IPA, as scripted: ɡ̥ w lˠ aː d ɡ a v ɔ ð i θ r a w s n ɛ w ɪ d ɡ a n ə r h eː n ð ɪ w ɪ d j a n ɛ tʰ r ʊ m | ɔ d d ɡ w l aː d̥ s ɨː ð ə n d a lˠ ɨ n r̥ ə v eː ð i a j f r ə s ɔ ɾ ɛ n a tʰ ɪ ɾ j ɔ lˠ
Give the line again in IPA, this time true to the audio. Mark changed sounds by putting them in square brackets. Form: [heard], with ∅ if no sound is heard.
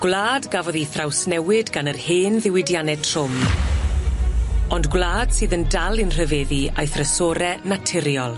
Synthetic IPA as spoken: ɡ̥ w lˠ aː d ɡ a v ɔ ð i θ r a w s n ɛ w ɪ d ɡ a n ə r h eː n ð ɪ w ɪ d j a n ɛ tʰ r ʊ m | ɔ [n] d ɡ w l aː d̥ s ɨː ð ə n d a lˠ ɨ n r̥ ə v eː ð i a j [θ] r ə s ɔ ɾ ɛ n a tʰ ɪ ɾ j ɔ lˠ

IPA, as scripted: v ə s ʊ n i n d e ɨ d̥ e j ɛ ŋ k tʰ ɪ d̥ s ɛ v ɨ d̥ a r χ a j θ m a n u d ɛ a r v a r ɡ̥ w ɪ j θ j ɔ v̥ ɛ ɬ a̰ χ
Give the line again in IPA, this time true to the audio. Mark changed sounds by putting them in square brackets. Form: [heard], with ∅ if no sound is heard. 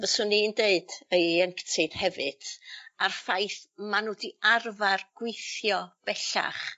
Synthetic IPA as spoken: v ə s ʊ n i n d e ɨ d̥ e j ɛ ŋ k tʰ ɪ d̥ [h] ɛ v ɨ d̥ a r [f] a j θ m a n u d [i] a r v a r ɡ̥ w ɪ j θ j ɔ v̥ ɛ ɬ a̰ χ

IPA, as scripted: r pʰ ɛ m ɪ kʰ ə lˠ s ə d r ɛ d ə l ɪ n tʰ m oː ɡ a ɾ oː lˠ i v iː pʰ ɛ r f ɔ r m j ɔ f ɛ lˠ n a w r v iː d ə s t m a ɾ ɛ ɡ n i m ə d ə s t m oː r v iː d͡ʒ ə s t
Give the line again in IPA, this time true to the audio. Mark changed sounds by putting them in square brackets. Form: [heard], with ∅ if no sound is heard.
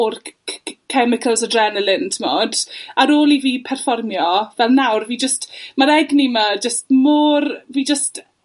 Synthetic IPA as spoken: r [kʰ] ɛ m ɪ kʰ ə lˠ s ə d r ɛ [n] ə l ɪ n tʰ m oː [d] a ɾ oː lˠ i v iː pʰ ɛ r f ɔ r m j ɔ [v] ɛ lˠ n a w r v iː [d͡ʒ] ə s t m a ɾ ɛ ɡ n i m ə [d͡ʒ] ə s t m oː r v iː d͡ʒ ə s t

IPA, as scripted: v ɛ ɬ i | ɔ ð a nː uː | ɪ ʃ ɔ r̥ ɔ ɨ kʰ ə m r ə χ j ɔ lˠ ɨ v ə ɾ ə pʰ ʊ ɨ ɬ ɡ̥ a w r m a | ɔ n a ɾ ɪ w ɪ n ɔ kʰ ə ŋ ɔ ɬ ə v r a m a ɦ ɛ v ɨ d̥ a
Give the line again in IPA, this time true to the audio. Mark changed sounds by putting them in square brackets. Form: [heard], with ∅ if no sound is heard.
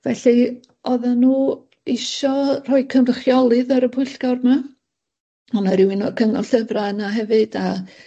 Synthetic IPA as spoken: v ɛ ɬ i | ɔ ð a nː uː | ɪ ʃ ɔ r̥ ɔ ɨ kʰ ə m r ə χ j ɔ lˠ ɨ [ð] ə ɾ ə pʰ ʊ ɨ ɬ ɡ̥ a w r m a | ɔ n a ɾ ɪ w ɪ n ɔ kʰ ə ŋ ɔ ɬ ə v r a [n] a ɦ ɛ v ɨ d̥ a

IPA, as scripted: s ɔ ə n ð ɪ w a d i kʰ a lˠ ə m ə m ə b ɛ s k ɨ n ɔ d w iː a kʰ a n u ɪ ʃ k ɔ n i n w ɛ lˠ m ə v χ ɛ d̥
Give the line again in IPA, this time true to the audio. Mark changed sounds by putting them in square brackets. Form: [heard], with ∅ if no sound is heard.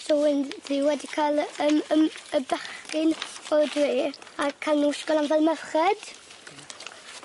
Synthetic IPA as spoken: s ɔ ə n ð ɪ w [ɛ] d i kʰ a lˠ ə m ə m ə b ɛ [χ] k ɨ n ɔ d w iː a kʰ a n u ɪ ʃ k ɔ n [a] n [v] ɛ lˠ m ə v χ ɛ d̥

